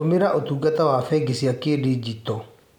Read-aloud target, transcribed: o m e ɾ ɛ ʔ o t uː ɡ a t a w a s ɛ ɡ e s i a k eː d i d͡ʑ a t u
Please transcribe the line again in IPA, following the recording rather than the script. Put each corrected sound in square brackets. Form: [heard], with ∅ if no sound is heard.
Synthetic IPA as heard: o m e ɾ [a] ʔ o t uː ɡ a t a w a [f] ɛ ɡ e s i a k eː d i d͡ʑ [i] t [ɔ]